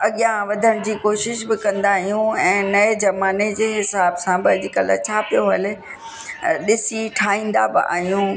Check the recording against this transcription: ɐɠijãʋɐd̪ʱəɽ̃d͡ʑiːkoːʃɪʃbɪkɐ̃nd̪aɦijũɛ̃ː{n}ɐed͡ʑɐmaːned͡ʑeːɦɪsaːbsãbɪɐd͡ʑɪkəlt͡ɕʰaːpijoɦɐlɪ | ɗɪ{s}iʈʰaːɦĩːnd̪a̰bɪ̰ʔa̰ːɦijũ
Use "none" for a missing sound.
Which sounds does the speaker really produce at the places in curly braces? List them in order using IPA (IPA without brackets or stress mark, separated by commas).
n, s